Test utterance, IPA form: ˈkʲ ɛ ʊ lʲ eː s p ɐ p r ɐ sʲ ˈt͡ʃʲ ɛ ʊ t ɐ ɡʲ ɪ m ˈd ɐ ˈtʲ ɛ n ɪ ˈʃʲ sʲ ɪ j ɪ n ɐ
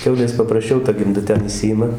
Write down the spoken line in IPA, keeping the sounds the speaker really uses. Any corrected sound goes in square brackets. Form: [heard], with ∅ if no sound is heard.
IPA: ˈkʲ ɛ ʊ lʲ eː s p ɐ p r ɐ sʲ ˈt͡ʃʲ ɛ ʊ t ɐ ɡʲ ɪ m ˈd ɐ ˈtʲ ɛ n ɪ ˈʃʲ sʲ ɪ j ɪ [m] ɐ